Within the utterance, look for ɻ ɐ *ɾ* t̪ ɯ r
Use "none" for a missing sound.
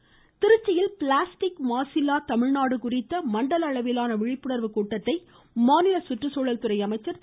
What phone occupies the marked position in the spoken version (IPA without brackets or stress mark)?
l